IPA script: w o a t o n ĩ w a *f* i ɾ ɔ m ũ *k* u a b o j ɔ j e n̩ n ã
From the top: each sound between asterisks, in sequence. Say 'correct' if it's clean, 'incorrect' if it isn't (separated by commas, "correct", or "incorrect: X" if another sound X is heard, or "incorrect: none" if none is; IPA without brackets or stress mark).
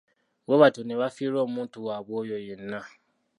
correct, incorrect: t